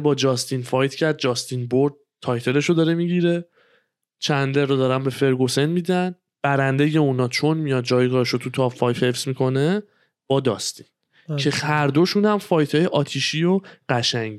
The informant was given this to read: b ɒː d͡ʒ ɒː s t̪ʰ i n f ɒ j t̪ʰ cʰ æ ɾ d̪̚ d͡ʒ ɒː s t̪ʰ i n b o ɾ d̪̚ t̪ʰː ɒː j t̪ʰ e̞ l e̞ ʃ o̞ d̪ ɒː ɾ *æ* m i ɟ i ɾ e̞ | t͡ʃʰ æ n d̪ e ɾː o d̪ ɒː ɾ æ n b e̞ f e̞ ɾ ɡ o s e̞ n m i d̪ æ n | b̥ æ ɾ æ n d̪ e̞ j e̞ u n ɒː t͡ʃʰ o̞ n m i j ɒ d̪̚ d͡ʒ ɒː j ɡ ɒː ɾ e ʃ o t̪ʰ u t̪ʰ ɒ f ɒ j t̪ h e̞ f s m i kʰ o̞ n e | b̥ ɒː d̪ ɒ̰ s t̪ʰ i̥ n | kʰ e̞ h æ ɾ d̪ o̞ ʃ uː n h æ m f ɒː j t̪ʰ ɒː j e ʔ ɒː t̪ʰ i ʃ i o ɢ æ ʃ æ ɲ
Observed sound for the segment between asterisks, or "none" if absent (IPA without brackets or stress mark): e